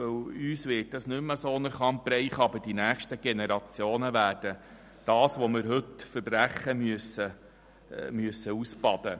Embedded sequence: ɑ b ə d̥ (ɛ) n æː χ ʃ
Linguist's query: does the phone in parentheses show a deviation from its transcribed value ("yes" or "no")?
yes